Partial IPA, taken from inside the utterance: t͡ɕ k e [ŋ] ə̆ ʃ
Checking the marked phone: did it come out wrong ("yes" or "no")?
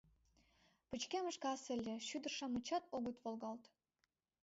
yes